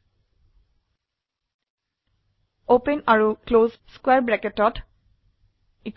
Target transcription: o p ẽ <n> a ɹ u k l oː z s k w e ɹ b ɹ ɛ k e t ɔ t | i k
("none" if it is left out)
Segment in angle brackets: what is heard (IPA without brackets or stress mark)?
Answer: n